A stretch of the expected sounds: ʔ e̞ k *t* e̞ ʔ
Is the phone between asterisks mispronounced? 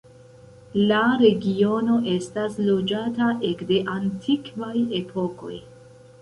yes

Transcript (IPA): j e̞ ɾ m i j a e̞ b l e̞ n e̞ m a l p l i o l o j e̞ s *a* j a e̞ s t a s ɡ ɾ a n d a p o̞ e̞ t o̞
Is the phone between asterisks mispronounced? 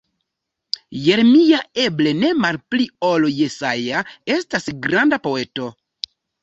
no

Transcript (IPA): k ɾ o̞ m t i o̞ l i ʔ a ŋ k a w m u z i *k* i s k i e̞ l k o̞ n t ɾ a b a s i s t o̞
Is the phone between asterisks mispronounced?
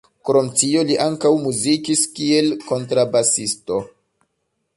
no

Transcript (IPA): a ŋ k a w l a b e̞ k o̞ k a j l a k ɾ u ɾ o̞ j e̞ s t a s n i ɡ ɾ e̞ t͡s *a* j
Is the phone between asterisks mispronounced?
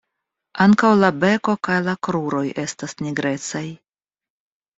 no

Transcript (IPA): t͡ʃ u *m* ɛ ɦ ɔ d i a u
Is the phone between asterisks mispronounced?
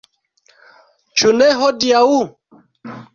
yes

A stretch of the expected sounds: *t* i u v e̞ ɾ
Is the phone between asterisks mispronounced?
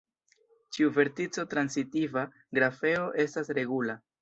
yes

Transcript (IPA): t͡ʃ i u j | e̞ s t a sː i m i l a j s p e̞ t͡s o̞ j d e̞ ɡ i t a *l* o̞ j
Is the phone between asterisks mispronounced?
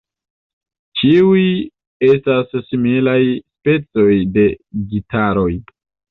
yes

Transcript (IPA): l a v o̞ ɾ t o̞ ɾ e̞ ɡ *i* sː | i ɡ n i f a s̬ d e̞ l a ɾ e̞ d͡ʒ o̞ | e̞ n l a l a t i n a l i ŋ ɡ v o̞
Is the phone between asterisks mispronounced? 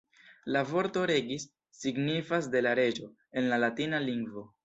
no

